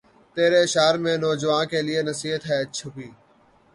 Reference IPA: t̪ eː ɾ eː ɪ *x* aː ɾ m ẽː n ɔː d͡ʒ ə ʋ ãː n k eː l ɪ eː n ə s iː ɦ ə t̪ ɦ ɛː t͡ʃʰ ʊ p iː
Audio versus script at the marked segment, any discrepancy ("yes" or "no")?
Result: yes